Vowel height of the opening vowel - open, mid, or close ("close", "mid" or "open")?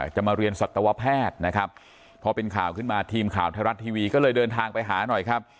open